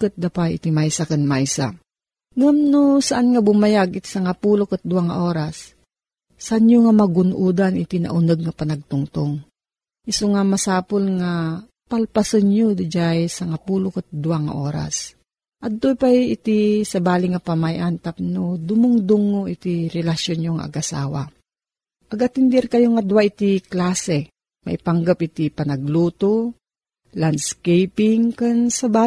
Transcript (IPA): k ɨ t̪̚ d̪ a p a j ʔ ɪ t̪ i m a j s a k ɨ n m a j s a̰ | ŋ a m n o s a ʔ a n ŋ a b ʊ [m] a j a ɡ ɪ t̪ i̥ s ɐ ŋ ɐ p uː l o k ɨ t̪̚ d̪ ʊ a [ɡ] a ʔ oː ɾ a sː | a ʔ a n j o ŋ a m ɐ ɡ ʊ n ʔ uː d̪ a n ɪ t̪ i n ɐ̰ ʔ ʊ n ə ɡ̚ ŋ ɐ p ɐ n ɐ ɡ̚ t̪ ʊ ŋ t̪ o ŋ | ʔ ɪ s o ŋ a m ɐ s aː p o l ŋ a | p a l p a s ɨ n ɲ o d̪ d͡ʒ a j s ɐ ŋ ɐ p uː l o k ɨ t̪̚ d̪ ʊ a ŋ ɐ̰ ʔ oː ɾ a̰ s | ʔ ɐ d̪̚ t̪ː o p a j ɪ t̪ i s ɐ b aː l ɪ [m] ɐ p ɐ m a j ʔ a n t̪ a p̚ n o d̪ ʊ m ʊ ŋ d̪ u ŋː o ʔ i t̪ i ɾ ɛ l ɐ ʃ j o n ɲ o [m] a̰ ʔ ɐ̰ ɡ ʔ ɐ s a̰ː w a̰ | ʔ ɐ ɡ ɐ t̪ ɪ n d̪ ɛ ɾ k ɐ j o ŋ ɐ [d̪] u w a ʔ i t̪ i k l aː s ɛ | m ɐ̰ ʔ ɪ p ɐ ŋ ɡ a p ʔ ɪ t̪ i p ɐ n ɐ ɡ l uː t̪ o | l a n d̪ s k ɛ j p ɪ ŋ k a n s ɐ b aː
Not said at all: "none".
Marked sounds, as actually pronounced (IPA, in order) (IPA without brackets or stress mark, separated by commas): m, ŋ, ŋ, ŋ, d̪